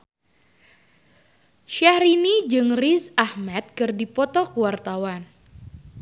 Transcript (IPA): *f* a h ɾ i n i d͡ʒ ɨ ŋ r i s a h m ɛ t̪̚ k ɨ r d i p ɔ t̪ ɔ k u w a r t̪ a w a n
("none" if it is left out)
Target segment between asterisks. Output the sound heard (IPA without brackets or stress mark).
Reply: ʃ